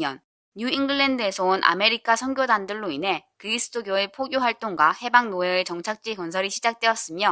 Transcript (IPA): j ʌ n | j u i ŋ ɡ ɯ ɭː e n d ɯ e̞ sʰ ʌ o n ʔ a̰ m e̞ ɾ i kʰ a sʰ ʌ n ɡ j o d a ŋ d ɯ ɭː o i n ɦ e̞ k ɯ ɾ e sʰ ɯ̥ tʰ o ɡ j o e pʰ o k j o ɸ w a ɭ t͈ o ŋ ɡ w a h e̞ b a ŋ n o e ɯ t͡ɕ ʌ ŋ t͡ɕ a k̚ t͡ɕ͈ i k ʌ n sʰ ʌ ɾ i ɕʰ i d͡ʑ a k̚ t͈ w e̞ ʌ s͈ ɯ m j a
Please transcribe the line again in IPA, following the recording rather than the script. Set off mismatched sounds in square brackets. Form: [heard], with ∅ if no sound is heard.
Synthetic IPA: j ʌ n | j u i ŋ ɡ ɯ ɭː e n d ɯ e̞ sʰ ʌ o n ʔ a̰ m e̞ ɾ i kʰ a sʰ ʌ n ɡ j o d a [n] d ɯ ɭː o i n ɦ e̞ k ɯ ɾ [i] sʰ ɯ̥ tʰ o ɡ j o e pʰ o [ɡ] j o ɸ w a ɭ t͈ o ŋ ɡ w a h e̞ b a ŋ n o e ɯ t͡ɕ ʌ ŋ [t͡ɕʰ] a k̚ t͡ɕ͈ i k ʌ n sʰ ʌ ɾ i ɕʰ i d͡ʑ a k̚ t͈ w e̞ ʌ s͈ ɯ m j [ʌ]

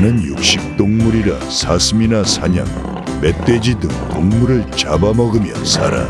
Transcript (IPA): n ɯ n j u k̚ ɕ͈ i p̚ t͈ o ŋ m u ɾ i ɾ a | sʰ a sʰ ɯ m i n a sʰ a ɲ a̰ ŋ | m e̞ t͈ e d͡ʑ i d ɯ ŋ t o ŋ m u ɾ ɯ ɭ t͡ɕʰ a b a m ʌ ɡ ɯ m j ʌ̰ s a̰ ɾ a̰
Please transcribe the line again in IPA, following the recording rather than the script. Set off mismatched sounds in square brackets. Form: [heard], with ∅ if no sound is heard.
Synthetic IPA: n ɯ n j u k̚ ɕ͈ i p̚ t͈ o ŋ m u ɾ i ɾ a | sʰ a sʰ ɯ m i n a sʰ a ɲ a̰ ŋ | m e̞ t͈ e d͡ʑ i d ɯ ŋ t o ŋ m u ɾ ɯ ɭ [t͡ɕ] a b a m ʌ ɡ ɯ m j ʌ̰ s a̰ ɾ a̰

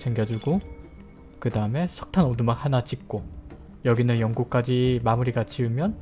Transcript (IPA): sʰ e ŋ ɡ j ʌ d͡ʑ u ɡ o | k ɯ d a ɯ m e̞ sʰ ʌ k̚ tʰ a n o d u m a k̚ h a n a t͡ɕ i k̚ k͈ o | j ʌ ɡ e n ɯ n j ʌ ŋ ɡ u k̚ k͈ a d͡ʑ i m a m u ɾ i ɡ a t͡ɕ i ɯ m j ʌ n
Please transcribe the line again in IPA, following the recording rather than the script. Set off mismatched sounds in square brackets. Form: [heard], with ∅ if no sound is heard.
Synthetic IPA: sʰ e ŋ ɡ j ʌ d͡ʑ u ɡ o | k ɯ d a ɯ m e̞ sʰ ʌ k̚ tʰ a n o d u m a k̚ h a n a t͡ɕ i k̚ k͈ o | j ʌ ɡ [i] n ɯ n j ʌ ŋ ɡ u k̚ k͈ a d͡ʑ i m a m u ɾ i ɡ a t͡ɕ i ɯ m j ʌ n

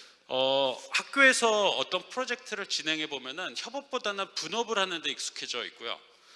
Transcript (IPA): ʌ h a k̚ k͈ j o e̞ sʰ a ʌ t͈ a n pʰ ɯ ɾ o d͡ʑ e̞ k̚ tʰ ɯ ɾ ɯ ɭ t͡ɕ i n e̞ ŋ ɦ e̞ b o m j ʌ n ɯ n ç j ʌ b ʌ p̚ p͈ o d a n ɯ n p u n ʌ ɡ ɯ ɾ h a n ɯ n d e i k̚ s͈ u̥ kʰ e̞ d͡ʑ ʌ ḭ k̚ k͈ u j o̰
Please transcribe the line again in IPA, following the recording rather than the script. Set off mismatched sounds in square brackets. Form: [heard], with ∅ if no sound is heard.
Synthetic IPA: ʌ h a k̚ k͈ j o e̞ sʰ [ʌ] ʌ t͈ [ʌ] n pʰ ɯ ɾ o d͡ʑ e̞ k̚ tʰ ɯ ɾ ɯ ɭ t͡ɕ i n e̞ ŋ ɦ e̞ b o m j ʌ n ɯ n ç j ʌ b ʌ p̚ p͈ o d a n ɯ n p u n ʌ [b] ɯ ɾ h a n ɯ n d e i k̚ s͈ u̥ kʰ e̞ d͡ʑ ʌ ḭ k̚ k͈ u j o̰

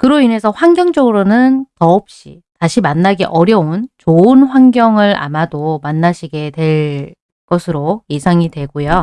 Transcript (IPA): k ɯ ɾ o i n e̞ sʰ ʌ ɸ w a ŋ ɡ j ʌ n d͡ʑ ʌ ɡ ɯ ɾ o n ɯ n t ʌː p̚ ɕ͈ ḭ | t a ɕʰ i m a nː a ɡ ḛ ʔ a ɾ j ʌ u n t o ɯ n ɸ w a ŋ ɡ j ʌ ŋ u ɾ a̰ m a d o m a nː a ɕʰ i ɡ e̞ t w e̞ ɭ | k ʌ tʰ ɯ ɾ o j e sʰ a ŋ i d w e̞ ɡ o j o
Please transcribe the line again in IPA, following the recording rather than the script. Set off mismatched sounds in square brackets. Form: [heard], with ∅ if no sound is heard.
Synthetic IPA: k ɯ ɾ o i n e̞ sʰ ʌ ɸ w a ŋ ɡ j ʌ [ŋ] d͡ʑ ʌ ɡ ɯ ɾ o n ɯ n t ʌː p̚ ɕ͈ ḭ | t a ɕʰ i m a nː a ɡ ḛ ʔ [ʌ] ɾ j ʌ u n [t͡ɕ] o ɯ n ɸ w a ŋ ɡ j ʌ ŋ [ɯ] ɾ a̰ m a d o m a nː a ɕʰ i ɡ e̞ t w e̞ ɭ | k ʌ [sʰ] ɯ ɾ o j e sʰ a ŋ i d w e̞ ɡ o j o

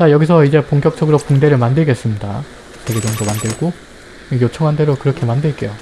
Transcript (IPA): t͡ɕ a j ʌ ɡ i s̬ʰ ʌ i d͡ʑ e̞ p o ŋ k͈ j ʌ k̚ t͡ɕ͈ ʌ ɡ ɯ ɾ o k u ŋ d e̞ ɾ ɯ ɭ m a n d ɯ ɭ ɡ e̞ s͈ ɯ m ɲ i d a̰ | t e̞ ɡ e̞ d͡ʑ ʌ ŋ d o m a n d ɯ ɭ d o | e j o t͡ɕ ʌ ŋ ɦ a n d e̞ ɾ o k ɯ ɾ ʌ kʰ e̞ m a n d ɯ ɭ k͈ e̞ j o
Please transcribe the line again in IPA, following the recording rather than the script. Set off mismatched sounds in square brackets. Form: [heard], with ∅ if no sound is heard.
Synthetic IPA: t͡ɕ a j ʌ ɡ i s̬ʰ ʌ i d͡ʑ e̞ p o ŋ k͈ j ʌ k̚ t͡ɕ͈ ʌ ɡ ɯ ɾ o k u ŋ d e̞ ɾ ɯ ɭ m a n d ɯ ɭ ɡ e̞ s͈ ɯ m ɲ i d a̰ | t e̞ ɡ e̞ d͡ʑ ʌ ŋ d o m a n d ɯ ɭ [ɡ] o | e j o [t͡ɕʰ] ʌ ŋ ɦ a n d e̞ ɾ o k ɯ ɾ ʌ kʰ e̞ m a n d ɯ ɭ k͈ e̞ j o

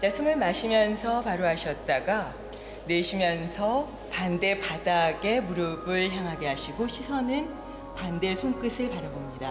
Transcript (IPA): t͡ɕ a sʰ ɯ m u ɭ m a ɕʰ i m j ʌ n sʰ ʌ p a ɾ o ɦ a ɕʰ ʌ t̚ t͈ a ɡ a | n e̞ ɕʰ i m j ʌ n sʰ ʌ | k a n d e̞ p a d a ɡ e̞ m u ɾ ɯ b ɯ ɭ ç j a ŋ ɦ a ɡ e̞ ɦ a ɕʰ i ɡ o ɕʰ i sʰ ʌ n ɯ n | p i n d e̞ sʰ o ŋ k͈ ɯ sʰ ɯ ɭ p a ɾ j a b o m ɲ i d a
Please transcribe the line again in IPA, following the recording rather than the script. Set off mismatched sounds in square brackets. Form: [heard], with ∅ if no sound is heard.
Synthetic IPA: t͡ɕ a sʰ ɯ m [ɯ] ɭ m a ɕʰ i m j ʌ n sʰ ʌ p a ɾ o ɦ a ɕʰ ʌ t̚ t͈ a ɡ a | n e̞ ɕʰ i m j ʌ n sʰ ʌ | [p] a n d e̞ p a d a ɡ e̞ m u ɾ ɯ b ɯ ɭ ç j a ŋ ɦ a ɡ e̞ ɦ a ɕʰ i ɡ o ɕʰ i sʰ ʌ n ɯ n | p [a] n d e̞ sʰ o ŋ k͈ ɯ sʰ ɯ ɭ p a ɾ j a b o m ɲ i d a

